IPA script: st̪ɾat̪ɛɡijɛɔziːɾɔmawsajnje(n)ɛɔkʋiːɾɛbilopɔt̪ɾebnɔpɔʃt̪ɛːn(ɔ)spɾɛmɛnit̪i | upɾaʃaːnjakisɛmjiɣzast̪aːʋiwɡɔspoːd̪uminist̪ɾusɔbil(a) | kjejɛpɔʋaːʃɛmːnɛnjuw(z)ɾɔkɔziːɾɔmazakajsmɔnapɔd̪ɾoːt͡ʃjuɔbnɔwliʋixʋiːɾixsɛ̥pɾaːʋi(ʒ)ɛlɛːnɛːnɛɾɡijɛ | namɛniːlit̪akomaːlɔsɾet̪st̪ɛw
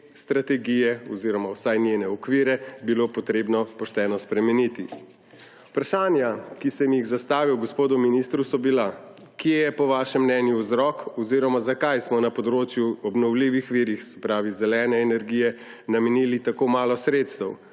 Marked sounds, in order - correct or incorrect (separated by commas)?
correct, correct, correct, correct, incorrect